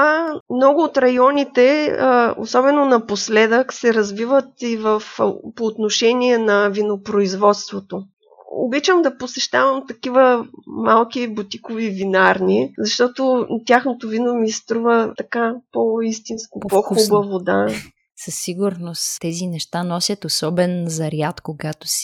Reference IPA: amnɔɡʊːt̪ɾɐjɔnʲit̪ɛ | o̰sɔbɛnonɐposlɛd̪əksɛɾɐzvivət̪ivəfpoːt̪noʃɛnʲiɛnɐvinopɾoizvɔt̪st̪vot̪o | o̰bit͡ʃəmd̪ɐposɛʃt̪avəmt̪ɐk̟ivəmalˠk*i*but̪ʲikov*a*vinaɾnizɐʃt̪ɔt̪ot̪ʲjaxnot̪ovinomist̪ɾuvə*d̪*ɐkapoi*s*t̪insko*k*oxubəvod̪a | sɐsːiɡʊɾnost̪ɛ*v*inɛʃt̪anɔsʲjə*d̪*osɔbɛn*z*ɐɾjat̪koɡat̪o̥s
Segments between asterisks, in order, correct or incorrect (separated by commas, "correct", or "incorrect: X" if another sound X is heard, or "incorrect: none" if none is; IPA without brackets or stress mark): correct, incorrect: i, incorrect: t̪, correct, incorrect: p, incorrect: z, incorrect: t̪, correct